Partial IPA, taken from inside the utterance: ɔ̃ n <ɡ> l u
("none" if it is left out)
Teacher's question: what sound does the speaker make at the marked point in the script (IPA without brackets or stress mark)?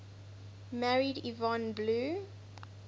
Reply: b